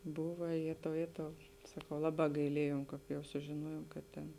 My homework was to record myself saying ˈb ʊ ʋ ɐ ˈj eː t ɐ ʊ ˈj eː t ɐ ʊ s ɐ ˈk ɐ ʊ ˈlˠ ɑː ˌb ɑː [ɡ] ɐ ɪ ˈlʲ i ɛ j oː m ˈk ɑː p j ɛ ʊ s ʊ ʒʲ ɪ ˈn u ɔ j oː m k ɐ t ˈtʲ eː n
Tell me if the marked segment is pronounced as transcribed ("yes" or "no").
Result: yes